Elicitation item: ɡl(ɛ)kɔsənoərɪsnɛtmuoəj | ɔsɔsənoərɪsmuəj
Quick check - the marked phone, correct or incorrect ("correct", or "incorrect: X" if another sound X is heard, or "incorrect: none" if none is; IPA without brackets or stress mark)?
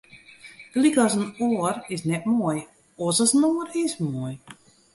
incorrect: i